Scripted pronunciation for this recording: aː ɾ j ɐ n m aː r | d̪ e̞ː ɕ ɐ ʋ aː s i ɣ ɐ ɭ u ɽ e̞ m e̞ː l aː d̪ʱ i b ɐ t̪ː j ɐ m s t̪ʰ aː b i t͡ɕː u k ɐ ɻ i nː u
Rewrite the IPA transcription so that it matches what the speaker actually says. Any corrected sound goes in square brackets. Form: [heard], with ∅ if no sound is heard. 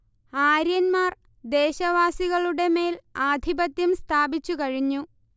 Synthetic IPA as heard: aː ɾ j ɐ n m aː r | d̪ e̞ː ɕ ɐ ʋ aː s i ɣ ɐ ɭ u ɽ e̞ m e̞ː l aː d̪ʱ i b ɐ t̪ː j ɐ m s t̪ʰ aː b i t͡ɕː u k ɐ ɻ i [ɲː] u